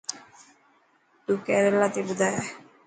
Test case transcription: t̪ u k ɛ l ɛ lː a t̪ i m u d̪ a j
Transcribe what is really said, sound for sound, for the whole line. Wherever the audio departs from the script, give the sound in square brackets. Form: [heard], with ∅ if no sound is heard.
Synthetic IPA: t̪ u k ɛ [ɾ] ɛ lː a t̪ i [b] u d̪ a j